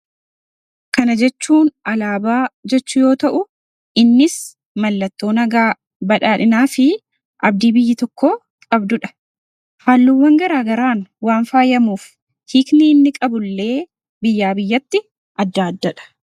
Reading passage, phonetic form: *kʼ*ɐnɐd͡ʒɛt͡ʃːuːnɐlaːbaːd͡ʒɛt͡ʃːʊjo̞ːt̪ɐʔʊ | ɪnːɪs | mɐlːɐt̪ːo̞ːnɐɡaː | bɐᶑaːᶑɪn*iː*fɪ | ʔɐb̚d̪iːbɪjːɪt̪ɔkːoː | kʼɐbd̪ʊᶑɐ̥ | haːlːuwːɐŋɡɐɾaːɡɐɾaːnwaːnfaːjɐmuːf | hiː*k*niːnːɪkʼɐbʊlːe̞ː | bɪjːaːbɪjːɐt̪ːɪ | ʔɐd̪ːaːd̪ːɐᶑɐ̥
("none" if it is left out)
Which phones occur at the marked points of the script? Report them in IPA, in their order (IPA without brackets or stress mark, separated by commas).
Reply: k, aː, k